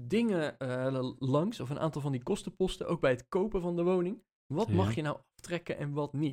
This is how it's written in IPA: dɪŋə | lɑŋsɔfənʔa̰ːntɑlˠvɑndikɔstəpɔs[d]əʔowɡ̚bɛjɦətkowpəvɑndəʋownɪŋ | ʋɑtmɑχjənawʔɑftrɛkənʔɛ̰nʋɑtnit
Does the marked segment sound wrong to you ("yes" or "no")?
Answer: yes